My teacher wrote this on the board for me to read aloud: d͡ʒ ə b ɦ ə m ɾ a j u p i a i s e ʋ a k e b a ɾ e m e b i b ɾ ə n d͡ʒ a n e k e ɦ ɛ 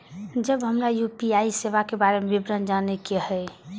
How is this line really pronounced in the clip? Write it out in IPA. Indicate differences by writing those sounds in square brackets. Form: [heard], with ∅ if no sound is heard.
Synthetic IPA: d͡ʒ ə b ɦ ə m ɾ a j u p i a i s e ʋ a k e b a ɾ e m e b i b ɾ ə n d͡ʒ a n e k e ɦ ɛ